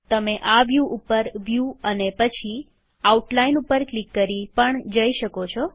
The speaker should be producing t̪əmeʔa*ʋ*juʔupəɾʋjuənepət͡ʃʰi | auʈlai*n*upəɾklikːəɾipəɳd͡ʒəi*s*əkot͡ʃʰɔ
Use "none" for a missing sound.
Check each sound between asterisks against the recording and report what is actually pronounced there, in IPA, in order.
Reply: ʋ, n, ʃ

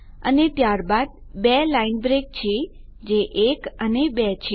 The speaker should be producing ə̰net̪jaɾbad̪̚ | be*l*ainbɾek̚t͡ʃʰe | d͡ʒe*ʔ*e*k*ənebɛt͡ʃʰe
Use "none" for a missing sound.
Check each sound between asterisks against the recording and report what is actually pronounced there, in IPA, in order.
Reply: l, ʔ, k

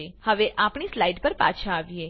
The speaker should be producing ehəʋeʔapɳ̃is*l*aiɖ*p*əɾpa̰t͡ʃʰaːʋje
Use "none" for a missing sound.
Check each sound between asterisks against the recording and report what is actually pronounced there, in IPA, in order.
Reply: l, p

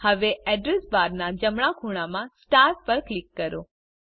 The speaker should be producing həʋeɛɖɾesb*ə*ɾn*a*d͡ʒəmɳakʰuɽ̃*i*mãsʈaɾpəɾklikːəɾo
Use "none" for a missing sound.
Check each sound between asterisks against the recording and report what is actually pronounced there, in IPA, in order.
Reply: a, a, a

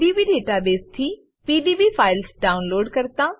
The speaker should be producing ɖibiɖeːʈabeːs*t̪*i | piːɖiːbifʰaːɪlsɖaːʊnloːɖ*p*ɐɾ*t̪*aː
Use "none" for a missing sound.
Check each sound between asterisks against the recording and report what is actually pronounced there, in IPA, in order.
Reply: t̪ʰ, k, t̪

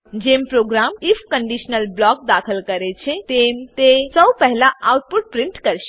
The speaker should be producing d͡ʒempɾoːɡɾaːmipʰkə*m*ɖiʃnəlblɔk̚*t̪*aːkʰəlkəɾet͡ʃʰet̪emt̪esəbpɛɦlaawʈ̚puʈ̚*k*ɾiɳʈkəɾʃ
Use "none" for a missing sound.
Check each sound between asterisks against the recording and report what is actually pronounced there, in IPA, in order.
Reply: ɳ, d̪, p

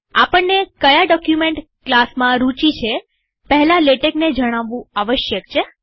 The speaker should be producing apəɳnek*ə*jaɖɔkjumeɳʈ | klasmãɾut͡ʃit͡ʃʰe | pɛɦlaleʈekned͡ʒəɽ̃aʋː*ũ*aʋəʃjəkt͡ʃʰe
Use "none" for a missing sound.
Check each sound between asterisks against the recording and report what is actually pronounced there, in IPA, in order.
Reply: ə, ũ

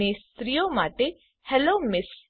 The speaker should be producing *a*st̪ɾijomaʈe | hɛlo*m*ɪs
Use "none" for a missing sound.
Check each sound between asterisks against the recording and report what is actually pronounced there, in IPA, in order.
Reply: e, m

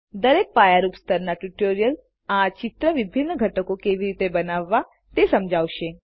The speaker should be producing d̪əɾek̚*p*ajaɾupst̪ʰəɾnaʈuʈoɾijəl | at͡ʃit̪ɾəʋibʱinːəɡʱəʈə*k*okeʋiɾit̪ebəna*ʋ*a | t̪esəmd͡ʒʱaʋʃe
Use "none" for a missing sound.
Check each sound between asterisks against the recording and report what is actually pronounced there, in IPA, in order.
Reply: p, k, ʋː

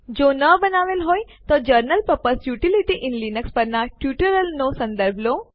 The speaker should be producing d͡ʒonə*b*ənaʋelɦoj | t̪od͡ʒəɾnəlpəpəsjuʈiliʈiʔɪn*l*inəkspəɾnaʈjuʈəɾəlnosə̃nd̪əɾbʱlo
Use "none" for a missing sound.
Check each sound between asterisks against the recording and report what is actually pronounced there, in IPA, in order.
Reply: b, l

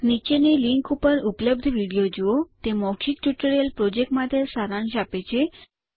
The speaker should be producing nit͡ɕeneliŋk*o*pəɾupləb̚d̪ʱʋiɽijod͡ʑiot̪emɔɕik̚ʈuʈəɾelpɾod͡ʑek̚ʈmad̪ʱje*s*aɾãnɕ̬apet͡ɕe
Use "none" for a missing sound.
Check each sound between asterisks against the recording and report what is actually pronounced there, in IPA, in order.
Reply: u, s

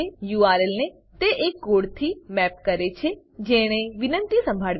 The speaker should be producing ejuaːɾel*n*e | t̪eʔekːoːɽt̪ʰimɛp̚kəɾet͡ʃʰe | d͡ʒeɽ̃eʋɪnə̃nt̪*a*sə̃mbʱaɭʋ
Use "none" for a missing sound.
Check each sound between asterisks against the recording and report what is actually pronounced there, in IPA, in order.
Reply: n, i

